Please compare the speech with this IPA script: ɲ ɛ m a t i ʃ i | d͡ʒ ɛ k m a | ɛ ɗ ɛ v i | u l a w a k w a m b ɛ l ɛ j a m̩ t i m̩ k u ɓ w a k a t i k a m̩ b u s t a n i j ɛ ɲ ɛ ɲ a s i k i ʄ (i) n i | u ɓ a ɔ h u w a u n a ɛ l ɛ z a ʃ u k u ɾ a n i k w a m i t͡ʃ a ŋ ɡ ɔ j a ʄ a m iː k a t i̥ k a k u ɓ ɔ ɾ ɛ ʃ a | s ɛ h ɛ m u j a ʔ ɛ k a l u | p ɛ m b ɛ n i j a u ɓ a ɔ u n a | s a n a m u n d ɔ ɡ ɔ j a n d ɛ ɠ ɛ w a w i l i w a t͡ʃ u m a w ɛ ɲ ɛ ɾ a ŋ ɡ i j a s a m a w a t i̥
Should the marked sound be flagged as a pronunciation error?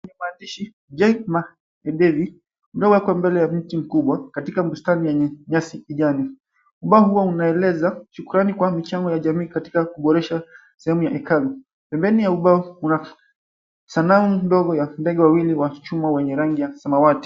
yes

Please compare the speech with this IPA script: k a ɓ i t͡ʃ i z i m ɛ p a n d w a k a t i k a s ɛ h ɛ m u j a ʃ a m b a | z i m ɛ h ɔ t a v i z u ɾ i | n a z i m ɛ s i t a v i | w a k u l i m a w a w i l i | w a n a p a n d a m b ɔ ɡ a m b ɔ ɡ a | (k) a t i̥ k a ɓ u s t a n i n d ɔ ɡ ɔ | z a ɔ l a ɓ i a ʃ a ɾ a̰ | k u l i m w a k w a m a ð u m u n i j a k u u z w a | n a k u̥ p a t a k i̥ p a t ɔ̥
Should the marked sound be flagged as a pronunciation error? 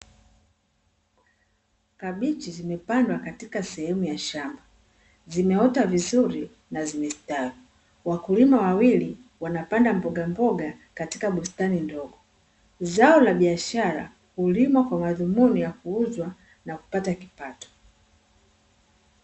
no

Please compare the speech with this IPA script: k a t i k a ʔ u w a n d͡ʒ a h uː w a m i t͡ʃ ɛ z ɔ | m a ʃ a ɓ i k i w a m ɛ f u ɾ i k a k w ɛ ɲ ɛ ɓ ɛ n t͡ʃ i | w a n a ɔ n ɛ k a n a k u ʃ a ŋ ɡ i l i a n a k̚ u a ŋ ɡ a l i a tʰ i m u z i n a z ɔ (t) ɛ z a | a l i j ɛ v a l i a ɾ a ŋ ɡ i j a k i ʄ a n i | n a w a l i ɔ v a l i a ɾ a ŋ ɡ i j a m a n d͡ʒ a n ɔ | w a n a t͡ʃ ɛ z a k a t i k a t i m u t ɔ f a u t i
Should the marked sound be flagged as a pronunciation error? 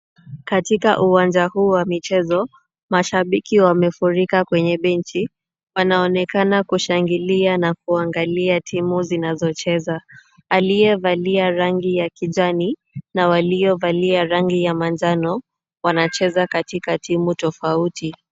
yes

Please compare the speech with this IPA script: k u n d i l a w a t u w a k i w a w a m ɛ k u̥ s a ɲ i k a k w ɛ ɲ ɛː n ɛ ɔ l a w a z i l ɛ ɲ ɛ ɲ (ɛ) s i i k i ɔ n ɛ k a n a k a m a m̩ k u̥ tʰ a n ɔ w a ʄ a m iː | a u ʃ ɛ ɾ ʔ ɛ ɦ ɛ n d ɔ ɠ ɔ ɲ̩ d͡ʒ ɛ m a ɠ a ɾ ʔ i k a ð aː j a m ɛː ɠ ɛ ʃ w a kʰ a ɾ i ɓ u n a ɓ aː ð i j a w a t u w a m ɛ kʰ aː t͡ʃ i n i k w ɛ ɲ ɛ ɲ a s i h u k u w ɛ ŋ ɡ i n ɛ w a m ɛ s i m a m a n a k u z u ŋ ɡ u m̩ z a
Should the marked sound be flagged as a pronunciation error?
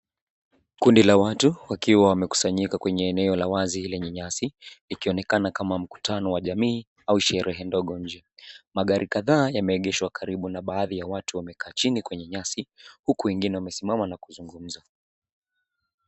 yes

